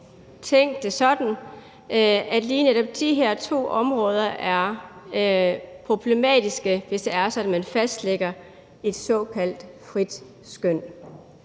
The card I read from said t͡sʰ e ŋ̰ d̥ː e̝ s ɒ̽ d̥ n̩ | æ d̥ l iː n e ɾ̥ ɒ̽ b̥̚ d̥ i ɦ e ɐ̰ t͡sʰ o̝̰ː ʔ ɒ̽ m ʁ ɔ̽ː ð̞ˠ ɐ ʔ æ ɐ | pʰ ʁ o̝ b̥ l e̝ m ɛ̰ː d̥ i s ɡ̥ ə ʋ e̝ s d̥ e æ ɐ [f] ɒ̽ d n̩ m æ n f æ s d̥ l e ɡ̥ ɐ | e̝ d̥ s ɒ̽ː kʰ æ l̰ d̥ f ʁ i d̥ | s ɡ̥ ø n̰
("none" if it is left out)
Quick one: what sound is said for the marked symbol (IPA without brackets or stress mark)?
s